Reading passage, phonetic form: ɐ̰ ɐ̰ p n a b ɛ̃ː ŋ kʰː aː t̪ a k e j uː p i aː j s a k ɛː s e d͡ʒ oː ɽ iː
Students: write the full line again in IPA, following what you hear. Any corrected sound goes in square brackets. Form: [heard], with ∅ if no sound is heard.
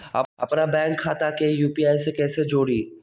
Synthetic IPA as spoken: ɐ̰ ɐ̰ p n a b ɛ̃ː ŋ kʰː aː t̪ a k e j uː p i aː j s [e] k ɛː s e d͡ʒ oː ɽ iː

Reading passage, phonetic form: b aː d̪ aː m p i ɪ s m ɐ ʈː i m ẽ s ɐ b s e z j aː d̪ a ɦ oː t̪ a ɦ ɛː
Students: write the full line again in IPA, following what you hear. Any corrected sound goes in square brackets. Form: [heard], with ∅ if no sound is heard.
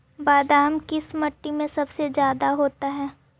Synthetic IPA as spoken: b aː d̪ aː m [k] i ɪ s m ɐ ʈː i m ẽ s ɐ b s e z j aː d̪ a ɦ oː t̪ a ɦ ɛː

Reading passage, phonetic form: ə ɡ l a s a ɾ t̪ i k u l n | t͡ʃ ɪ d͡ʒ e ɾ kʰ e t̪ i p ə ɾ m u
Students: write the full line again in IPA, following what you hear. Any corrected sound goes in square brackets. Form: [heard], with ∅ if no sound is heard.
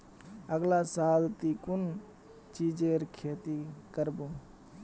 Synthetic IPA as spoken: ə ɡ l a s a [l] t̪ i k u [∅] n | t͡ʃ [i] d͡ʒ e ɾ kʰ e t̪ i [k] ə ɾ [b] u

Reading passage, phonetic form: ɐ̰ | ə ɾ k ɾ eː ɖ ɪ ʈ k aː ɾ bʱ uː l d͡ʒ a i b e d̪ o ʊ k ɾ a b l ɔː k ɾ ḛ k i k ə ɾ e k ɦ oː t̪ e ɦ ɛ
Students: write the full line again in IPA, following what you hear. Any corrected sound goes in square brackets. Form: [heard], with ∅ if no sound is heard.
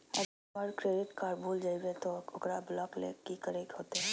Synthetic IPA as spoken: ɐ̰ | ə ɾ k ɾ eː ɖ ɪ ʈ k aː ɾ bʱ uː l d͡ʒ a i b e [t̪] o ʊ k ɾ a b l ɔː k [l] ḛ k i k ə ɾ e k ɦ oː t̪ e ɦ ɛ

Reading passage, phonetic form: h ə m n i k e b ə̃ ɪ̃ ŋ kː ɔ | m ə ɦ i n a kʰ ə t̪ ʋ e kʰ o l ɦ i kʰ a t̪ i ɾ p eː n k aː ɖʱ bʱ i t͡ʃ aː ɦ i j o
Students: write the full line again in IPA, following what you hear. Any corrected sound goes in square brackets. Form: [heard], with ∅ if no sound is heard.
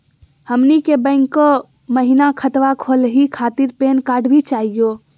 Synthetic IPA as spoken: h ə m n i k e b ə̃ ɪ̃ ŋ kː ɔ | m ə ɦ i n a kʰ ə t̪ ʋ [a] kʰ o l ɦ i kʰ a t̪ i ɾ p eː n k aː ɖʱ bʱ i t͡ʃ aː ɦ i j o

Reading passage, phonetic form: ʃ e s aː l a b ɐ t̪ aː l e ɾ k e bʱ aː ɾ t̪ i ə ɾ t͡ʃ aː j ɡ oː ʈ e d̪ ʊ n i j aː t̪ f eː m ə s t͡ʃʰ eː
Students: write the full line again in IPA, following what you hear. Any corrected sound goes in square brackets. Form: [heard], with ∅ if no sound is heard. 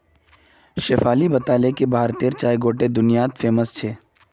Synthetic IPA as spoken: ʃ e [f] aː l [i] b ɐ t̪ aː l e [∅] k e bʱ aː ɾ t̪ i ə ɾ t͡ʃ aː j ɡ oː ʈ e d̪ ʊ n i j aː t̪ f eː m ə s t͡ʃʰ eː

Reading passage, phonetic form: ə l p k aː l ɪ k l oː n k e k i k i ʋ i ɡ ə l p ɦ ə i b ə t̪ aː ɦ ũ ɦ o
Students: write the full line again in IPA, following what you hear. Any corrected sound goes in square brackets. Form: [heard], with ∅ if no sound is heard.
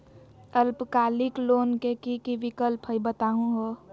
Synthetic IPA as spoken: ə l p k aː l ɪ k l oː n k e k i k i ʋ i [k] ə l p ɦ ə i b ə t̪ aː ɦ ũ ɦ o

